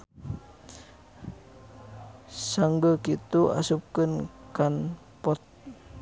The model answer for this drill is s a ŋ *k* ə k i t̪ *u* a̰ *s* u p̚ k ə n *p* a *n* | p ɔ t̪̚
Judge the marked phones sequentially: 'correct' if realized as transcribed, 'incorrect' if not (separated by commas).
incorrect, correct, correct, incorrect, correct